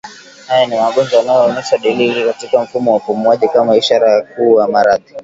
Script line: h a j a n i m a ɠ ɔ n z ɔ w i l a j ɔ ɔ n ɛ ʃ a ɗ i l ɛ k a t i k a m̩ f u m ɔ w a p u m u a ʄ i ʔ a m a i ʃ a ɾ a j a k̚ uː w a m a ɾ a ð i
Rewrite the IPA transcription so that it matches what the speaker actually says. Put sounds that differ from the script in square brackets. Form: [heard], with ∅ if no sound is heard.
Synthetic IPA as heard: h a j a n i m a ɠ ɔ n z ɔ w [a] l a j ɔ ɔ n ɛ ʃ a ɗ i l [i] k a t i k a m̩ f u m ɔ w a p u m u a ʄ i [k] a m a i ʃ a ɾ a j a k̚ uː w a m a ɾ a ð i